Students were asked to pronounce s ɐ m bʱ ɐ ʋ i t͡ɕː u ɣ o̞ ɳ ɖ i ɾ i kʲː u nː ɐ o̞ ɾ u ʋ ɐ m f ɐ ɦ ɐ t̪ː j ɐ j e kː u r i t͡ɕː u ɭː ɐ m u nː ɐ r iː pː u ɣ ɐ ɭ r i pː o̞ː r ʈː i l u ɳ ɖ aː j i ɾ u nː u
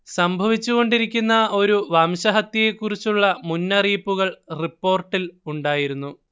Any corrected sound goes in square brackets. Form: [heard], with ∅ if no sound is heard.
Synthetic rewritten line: s ɐ m bʱ ɐ ʋ i t͡ɕː u ɣ o̞ ɳ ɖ i ɾ i kʲː u nː ɐ o̞ ɾ u ʋ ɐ m [ɕ] ɐ ɦ ɐ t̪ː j ɐ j e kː u r i t͡ɕː u ɭː ɐ m u nː ɐ r iː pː u ɣ ɐ ɭ r i pː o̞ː r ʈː i l u ɳ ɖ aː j i ɾ u nː u